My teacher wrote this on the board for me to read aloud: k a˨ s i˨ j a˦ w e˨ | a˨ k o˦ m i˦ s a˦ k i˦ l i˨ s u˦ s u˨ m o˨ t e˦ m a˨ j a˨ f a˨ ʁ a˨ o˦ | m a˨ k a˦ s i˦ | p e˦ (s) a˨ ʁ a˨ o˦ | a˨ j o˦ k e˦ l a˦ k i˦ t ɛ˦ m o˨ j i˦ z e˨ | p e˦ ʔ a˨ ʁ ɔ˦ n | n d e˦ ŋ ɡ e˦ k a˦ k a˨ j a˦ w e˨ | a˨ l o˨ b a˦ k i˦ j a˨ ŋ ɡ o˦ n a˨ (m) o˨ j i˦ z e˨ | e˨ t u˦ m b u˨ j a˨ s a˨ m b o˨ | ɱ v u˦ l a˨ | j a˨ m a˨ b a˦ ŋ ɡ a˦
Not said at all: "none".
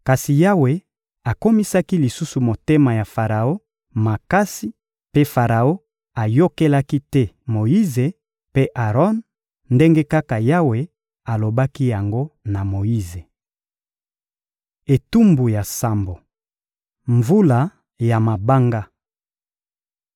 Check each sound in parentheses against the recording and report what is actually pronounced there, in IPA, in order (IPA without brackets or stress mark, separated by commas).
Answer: f, m